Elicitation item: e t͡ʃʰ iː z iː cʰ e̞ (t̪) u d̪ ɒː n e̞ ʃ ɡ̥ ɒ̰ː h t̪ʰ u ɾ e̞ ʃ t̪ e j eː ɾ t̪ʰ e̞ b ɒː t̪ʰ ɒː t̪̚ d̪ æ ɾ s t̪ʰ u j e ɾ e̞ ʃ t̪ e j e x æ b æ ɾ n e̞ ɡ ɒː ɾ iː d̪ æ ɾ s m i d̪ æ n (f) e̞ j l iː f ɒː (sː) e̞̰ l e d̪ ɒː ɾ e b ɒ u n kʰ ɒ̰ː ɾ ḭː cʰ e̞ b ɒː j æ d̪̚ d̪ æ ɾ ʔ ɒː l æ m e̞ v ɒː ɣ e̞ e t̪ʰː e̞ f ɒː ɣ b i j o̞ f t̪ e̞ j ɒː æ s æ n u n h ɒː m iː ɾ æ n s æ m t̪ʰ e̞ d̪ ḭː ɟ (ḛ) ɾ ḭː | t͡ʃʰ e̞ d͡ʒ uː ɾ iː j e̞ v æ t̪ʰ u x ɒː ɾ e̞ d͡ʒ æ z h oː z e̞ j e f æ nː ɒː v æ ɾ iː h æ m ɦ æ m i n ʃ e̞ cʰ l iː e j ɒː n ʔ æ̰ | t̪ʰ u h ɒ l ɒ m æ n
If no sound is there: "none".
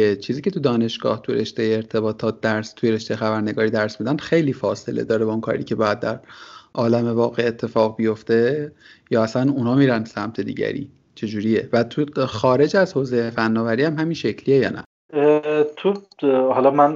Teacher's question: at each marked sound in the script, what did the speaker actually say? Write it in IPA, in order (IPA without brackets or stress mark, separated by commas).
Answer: t̪, x, s, æ̰